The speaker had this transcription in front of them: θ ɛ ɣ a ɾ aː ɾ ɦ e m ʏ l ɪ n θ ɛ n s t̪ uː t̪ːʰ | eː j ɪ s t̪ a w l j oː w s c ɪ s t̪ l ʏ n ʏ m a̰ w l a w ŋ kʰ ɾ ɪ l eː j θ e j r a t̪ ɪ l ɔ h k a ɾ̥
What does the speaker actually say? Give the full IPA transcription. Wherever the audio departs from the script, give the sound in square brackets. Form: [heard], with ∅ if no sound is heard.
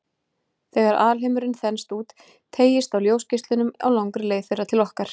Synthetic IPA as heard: θ ɛ ɣ a ɾ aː [l] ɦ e m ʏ [ɾ] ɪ n θ ɛ n s t̪ uː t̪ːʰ | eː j ɪ s t̪ a w l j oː w s c ɪ s t̪ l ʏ n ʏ m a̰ w l a w ŋ [k] ɾ ɪ l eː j θ e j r a [t̪ʰ] ɪ l ɔ h k a ɾ̥